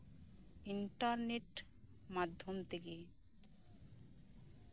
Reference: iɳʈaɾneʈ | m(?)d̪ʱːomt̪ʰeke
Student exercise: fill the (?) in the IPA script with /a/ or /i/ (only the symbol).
a